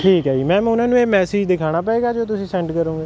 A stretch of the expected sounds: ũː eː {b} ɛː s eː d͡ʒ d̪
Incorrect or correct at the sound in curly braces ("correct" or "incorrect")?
incorrect